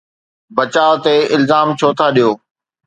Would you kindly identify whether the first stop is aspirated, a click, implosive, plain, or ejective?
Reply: plain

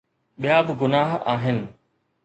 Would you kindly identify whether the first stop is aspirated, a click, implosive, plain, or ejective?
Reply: implosive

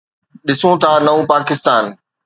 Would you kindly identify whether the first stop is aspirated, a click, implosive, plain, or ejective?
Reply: implosive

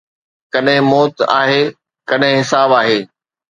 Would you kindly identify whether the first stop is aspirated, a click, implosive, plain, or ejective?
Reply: plain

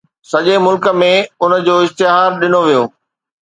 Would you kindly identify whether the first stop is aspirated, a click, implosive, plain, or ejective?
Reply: implosive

